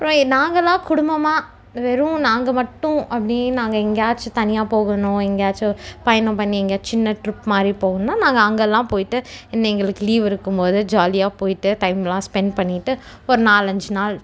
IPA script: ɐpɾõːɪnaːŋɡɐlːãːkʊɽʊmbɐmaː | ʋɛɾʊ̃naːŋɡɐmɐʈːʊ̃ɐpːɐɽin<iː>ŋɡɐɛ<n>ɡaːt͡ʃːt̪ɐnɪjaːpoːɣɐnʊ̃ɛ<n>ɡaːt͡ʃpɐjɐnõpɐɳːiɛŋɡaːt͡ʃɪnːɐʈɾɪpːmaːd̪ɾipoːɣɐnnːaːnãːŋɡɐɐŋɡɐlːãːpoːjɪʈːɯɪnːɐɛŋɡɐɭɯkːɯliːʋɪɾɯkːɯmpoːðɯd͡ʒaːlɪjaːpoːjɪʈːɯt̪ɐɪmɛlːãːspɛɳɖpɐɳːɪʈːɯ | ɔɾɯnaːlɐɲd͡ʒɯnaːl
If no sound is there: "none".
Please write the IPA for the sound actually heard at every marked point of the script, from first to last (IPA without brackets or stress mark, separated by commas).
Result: aː, ŋ, ŋ